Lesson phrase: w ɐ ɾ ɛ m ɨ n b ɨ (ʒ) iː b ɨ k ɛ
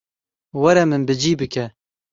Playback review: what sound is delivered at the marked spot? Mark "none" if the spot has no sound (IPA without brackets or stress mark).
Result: d͡ʒ